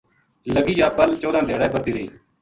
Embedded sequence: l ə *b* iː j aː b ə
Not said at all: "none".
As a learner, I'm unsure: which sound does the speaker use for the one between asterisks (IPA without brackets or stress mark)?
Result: ɡ